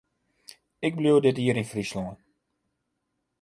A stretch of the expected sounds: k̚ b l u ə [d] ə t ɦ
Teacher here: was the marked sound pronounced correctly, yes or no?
yes